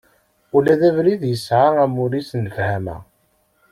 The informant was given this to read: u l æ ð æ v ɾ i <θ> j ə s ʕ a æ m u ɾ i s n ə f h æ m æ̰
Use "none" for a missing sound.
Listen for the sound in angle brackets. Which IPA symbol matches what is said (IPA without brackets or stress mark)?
ð